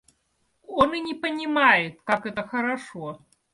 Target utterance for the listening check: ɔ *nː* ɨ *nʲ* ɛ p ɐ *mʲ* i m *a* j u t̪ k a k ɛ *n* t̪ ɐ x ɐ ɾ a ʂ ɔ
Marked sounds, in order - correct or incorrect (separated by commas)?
incorrect, correct, incorrect, correct, incorrect